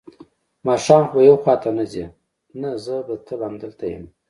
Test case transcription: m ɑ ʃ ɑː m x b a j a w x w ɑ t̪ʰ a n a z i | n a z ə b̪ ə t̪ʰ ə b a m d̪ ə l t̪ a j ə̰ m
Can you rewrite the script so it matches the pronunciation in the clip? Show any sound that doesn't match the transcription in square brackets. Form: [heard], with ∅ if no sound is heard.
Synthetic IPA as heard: m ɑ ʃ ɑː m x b a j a w x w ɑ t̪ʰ a n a z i | n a z ə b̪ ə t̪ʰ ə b a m d̪ ə l t̪ a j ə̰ m